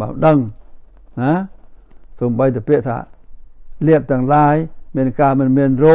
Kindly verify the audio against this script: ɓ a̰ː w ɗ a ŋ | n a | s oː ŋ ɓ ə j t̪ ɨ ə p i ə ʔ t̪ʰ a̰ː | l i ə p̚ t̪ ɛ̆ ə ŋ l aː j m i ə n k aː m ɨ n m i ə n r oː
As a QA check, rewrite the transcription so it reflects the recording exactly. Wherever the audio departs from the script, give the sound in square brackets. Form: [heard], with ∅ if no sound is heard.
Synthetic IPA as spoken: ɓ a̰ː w ɗ [ə] ŋ | n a | s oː [m] ɓ ə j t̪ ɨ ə p i ə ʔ t̪ʰ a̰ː | l i ə p̚ t̪ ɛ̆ ə ŋ l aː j m i ə n k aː m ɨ n m i ə n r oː